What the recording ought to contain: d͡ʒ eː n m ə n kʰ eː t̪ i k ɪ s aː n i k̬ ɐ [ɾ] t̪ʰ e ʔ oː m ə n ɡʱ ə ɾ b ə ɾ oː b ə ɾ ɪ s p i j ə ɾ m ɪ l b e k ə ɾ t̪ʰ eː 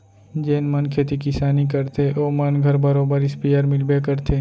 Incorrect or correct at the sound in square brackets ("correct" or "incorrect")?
correct